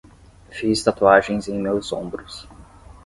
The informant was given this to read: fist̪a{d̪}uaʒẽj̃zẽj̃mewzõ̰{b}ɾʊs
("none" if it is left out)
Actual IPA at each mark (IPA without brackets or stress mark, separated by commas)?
t̪, b